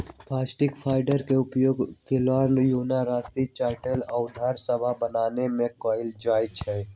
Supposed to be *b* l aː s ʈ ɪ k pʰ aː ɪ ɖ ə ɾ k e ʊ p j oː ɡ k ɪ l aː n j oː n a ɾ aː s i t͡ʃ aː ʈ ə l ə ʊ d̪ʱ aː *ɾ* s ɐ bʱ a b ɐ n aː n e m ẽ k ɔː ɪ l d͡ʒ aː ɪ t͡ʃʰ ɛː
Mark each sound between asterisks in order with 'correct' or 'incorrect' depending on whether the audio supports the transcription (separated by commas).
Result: incorrect, correct